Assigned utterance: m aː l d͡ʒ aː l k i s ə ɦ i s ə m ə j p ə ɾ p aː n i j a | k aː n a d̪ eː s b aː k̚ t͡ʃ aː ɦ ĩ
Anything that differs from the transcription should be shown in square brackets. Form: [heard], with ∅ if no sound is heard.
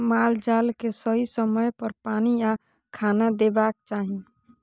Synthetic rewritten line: m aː l d͡ʒ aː l k [e] s ə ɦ i s ə m ə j p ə ɾ p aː n i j a | [kʰ] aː n a d̪ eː [∅] b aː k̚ t͡ʃ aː ɦ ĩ